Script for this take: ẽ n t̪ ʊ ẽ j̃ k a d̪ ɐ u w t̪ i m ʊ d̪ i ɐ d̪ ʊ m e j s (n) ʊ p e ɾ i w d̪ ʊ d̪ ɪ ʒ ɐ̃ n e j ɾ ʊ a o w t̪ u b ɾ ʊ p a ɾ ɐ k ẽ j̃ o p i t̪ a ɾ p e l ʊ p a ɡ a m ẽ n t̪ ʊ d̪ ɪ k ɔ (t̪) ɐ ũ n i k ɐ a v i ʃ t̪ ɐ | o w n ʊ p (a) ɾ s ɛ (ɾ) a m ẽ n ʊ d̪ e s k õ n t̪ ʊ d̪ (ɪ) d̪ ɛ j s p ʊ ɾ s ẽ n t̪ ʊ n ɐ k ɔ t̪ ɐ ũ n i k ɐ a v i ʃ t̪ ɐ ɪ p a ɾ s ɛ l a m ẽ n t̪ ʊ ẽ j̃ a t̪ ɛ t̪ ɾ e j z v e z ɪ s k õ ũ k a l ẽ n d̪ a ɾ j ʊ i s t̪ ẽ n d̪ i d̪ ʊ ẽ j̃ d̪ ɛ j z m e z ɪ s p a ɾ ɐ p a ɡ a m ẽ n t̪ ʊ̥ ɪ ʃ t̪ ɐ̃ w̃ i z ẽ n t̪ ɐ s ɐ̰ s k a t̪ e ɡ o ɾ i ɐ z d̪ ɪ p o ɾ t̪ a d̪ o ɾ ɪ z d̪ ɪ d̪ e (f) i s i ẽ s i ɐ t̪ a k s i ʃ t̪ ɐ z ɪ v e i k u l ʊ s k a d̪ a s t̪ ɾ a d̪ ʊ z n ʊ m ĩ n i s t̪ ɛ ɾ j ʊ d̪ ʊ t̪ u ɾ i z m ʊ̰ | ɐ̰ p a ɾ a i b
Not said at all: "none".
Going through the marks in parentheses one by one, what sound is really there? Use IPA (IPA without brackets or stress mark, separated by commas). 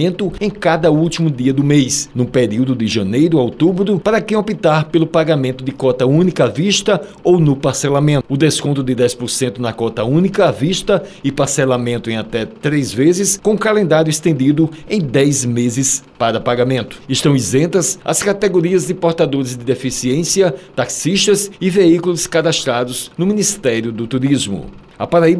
n, t̪, a, l, ɪ, f